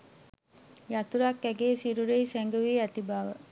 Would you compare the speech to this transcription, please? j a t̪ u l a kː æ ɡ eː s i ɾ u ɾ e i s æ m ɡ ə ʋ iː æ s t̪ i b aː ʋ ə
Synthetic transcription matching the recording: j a t̪ u ɾ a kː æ ɡ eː s i ɾ u ɾ e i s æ ŋ ɡ ə ʋ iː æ t̪ i b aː ʋ ə